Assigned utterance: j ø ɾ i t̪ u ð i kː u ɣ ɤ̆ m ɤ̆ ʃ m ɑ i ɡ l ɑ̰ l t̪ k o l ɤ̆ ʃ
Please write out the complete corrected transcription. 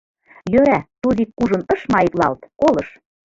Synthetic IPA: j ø ɾ æ t̪ u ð i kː u ʒ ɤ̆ n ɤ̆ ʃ m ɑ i k l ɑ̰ l t̪ k o l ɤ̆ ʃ